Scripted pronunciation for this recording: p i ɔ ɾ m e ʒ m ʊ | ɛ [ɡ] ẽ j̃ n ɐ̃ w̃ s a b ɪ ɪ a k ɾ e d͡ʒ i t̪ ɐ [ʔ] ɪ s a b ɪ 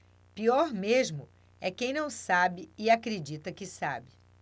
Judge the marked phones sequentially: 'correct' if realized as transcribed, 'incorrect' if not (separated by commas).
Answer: incorrect, incorrect